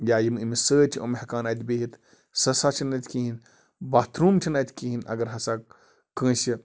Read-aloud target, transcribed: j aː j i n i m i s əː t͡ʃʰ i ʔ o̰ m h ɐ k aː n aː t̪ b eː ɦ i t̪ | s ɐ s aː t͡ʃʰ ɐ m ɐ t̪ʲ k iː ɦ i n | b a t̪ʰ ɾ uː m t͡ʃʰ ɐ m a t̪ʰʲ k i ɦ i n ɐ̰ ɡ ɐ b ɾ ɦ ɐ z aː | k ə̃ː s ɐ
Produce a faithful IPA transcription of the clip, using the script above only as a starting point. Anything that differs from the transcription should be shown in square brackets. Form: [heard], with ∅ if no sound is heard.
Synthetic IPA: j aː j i [m] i m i s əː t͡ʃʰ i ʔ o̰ m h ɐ k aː n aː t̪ b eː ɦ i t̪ | s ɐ s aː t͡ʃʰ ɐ [n] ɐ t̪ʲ k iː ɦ i n | b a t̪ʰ ɾ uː m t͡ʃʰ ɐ [n] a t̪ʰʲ k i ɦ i n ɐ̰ ɡ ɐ [∅] ɾ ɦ ɐ [s] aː | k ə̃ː s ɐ